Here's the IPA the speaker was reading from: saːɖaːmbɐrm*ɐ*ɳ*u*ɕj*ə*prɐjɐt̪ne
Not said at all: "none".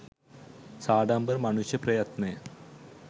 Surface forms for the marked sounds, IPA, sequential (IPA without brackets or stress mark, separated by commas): ɐ, u, ɐ